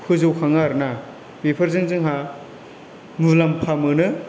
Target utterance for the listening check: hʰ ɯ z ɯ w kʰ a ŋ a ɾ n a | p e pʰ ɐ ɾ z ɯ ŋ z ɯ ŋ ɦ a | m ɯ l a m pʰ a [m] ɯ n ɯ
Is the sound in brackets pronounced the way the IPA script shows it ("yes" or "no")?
yes